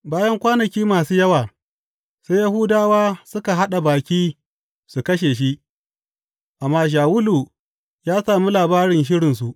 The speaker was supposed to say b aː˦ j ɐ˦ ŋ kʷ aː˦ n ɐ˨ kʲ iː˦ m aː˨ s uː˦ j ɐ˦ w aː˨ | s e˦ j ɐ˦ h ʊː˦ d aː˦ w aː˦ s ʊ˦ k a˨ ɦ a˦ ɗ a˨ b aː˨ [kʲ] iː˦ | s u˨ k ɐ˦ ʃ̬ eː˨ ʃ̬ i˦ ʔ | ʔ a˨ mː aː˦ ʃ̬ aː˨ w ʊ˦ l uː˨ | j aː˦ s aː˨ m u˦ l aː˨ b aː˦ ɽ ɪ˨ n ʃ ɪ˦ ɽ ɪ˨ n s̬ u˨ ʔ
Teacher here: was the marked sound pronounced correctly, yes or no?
yes